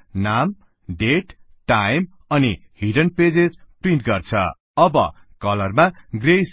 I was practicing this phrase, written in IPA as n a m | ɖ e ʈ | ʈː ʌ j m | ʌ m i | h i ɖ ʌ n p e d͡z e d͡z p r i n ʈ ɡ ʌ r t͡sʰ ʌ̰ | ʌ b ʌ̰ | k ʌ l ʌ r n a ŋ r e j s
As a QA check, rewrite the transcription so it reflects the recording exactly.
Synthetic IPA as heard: n a m | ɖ e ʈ | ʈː a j m | ʌ n i | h i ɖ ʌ n p e d͡z e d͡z p r i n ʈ ɡ ʌ r t͡sʰ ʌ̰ | ʌ b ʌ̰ | k ʌ l ʌ r m a ɡ r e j s